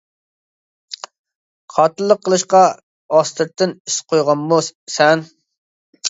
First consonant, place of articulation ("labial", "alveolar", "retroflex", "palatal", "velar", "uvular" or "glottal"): uvular